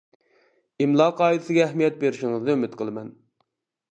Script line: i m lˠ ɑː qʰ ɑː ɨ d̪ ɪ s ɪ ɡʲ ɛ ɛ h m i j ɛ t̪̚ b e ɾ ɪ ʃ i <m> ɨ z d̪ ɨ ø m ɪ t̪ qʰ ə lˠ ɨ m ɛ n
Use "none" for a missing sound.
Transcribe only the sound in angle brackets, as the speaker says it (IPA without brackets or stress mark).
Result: ŋ